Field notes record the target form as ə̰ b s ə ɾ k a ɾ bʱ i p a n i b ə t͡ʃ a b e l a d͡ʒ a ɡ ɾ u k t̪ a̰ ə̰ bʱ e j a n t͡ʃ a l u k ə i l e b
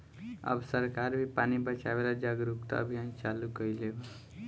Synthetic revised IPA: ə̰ b s ə ɾ k a ɾ bʱ i p a n i b ə t͡ʃ a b e l a d͡ʒ a ɡ ɾ u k t̪ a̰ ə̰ bʱ i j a n t͡ʃ a l u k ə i l e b